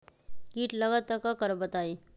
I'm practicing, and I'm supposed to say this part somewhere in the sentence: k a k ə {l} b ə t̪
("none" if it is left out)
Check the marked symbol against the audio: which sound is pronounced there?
ɾ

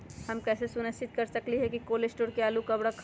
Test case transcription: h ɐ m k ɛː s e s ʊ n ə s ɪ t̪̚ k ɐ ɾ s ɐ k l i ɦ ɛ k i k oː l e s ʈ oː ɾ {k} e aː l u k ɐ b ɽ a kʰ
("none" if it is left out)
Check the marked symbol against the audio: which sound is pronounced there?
k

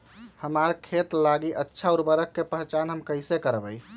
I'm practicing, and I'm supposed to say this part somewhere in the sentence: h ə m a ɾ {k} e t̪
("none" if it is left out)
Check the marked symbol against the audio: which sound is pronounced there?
kʰ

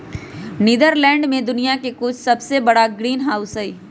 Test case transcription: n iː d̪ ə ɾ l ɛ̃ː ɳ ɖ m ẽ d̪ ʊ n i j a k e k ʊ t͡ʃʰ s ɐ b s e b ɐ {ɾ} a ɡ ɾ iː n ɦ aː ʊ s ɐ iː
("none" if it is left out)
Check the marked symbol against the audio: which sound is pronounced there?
ɽ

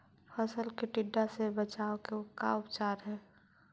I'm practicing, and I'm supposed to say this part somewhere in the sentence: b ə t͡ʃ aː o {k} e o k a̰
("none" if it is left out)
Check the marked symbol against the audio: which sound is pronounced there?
k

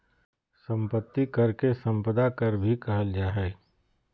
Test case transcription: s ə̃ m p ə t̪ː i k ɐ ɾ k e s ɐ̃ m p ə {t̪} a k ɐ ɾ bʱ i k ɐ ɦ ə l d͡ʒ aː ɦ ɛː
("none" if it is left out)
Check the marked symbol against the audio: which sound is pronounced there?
d̪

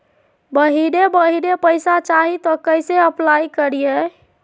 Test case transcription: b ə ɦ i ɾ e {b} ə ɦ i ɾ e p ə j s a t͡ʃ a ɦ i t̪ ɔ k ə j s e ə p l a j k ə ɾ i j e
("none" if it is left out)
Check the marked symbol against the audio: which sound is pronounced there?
b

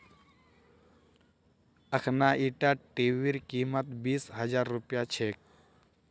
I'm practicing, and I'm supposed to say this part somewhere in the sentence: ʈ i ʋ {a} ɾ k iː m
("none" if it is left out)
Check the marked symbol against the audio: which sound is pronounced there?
i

